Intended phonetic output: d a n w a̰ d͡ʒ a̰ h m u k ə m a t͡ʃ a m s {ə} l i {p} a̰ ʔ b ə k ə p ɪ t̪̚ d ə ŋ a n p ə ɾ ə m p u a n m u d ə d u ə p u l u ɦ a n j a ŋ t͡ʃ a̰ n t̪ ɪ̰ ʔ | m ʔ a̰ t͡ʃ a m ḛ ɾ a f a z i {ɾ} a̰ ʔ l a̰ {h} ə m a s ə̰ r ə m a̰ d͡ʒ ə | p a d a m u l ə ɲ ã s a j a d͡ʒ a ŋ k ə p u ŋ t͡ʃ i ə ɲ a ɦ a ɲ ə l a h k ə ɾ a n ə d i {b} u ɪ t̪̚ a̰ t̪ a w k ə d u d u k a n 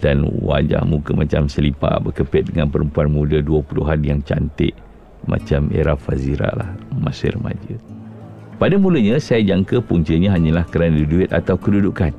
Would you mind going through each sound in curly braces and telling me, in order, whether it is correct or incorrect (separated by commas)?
correct, correct, correct, correct, incorrect